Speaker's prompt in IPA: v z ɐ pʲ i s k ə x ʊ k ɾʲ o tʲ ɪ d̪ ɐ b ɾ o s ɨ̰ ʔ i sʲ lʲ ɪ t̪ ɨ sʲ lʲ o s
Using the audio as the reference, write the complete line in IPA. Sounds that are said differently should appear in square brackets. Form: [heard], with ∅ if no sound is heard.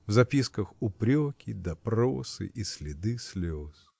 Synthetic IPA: v z ɐ pʲ i s k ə x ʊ [p] ɾʲ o [kʲ] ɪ d̪ ɐ [p] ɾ o s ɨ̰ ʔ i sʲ lʲ ɪ [d̪] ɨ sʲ lʲ o s

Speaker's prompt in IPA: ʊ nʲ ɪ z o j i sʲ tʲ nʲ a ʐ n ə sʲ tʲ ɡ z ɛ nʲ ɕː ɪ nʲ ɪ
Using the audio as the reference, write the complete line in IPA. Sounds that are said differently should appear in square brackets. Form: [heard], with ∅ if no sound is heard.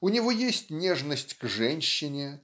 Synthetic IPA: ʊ nʲ ɪ [v] o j [e] sʲ tʲ nʲ [e] ʐ n ə sʲ tʲ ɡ [ʐ] ɛ nʲ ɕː ɪ nʲ ɪ

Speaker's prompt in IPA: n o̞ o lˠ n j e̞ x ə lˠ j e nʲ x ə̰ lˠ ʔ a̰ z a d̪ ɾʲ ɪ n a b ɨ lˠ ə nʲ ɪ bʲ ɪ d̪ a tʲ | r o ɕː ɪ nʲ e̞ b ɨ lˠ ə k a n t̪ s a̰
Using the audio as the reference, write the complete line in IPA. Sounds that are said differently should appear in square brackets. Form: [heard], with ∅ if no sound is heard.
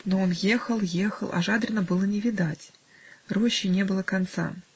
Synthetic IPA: n o̞ o [∅] n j e̞ x ə lˠ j e [∅] x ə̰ lˠ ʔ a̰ [ʐ] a d̪ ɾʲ ɪ n [ə] b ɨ lˠ ə nʲ ɪ [vʲ] ɪ d̪ a tʲ | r o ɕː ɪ nʲ e̞ b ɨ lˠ ə k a n t̪ s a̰

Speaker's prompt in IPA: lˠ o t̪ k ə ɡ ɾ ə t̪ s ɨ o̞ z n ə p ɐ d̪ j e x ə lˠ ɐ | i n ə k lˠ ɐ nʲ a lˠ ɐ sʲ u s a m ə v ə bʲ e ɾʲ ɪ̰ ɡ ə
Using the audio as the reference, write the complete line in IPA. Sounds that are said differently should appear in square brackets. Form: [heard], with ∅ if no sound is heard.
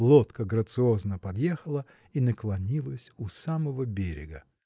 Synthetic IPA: lˠ o t̪ k ə ɡ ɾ ə t̪ s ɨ o̞ z n ə p ɐ d̪ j e x ə lˠ [ə] | i n ə k lˠ ɐ nʲ [i] lˠ [ə] sʲ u s a m ə v ə bʲ e ɾʲ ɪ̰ ɡ ə

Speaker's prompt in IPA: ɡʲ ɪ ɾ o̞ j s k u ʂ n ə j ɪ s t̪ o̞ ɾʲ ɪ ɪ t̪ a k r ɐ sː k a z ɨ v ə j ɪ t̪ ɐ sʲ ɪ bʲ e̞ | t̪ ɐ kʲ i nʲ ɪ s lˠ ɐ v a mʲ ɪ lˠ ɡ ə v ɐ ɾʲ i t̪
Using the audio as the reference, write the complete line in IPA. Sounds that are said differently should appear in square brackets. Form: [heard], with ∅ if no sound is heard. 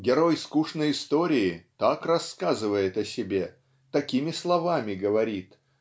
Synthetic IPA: ɡʲ ɪ ɾ o̞ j s k u ʂ n ə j ɪ s t̪ o̞ ɾʲ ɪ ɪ t̪ a k r ɐ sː k a z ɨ v ə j ɪ t̪ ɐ sʲ ɪ bʲ e̞ | t̪ ɐ kʲ i [mʲ] ɪ s lˠ ɐ v a mʲ ɪ [∅] ɡ ə v ɐ ɾʲ i t̪

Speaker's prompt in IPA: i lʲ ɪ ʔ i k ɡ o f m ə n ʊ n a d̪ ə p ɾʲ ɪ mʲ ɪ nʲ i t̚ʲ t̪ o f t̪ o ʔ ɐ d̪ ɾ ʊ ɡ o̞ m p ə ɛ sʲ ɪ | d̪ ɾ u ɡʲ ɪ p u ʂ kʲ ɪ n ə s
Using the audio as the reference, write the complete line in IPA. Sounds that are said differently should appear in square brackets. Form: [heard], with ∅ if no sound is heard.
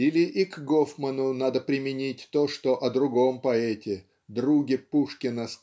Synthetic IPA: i lʲ ɪ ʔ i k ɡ o f m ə n ʊ n a d̪ ə p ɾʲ ɪ mʲ ɪ nʲ i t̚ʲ t̪ o [ʂ] t̪ o ʔ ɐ d̪ ɾ ʊ ɡ o̞ m p [ɐ] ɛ [tʲ] ɪ | d̪ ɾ u ɡʲ ɪ p u ʂ kʲ ɪ n ə s

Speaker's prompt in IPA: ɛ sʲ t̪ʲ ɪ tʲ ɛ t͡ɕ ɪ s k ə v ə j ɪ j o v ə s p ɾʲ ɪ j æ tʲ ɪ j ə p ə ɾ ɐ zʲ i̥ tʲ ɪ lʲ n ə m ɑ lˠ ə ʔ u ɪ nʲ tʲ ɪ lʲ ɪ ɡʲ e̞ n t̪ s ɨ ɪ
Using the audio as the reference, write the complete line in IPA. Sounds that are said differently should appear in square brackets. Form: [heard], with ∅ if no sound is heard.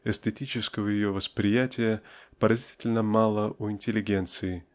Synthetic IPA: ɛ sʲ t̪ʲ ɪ tʲ [i] t͡ɕ ɪ s k ə v ə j ɪ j o v ə s p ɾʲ ɪ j æ tʲ ɪ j ə p ə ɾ ɐ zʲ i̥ tʲ ɪ lʲ n ə m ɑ lˠ ə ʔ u ɪ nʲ tʲ ɪ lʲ ɪ ɡʲ e̞ n t̪ s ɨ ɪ

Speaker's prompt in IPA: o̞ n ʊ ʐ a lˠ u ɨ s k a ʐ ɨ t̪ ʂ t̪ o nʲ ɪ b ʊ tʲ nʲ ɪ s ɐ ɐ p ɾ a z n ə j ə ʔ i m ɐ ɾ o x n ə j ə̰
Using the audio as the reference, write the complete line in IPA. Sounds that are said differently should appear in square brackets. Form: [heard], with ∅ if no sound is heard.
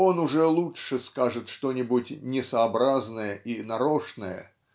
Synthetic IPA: o̞ n ʊ ʐ [ɛ] lˠ u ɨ s k a ʐ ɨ t̪ ʂ t̪ o nʲ ɪ b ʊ tʲ nʲ ɪ s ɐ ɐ [b] ɾ a z n ə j ə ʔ i [n] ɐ ɾ o [ʂ] n ə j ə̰

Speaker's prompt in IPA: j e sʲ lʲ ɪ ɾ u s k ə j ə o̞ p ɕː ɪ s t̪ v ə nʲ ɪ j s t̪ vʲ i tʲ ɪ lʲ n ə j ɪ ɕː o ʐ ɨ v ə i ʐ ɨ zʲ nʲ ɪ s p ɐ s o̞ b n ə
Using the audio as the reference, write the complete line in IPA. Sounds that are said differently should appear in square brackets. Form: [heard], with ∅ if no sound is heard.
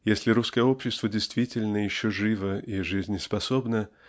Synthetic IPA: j e sʲ lʲ ɪ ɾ u s k ə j ə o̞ p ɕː ɪ s t̪ v ə [dʲ] ɪ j s t̪ vʲ i tʲ ɪ lʲ n ə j ɪ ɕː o ʐ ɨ v ə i ʐ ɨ zʲ nʲ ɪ s p ɐ s o̞ b n ə

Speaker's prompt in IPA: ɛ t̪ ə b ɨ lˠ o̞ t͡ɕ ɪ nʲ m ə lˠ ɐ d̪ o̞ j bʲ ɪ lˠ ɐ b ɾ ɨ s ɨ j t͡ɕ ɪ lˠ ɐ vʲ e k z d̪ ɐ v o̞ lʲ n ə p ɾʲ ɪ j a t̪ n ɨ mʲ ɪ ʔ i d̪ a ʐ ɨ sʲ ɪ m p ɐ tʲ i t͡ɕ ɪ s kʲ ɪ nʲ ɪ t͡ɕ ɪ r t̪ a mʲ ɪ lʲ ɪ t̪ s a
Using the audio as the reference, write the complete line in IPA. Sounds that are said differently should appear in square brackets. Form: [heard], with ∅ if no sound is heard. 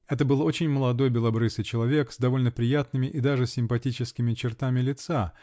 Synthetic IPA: ɛ t̪ ə b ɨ lˠ o̞ t͡ɕ ɪ nʲ m ə lˠ ɐ d̪ o̞ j bʲ ɪ lˠ ɐ b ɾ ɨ s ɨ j t͡ɕ ɪ lˠ ɐ vʲ e k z d̪ ɐ v o̞ lʲ n ə p ɾʲ ɪ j a t̪ n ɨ mʲ ɪ ʔ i d̪ a ʐ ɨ sʲ ɪ m p ɐ tʲ i t͡ɕ ɪ s kʲ ɪ [mʲ] ɪ t͡ɕ ɪ r t̪ a mʲ ɪ lʲ ɪ t̪ s a

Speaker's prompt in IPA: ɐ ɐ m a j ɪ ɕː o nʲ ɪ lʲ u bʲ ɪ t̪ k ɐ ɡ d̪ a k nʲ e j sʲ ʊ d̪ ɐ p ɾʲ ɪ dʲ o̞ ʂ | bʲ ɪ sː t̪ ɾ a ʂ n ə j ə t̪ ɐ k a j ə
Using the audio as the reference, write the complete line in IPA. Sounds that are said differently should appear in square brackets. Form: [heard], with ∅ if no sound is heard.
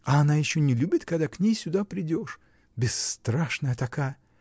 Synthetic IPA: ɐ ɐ [n] a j ɪ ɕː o nʲ ɪ lʲ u bʲ ɪ t̪ k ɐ ɡ d̪ a k nʲ e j sʲ ʊ d̪ [a] p ɾʲ ɪ dʲ o̞ ʂ | bʲ ɪ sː t̪ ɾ a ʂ n ə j ə t̪ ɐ k a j ə

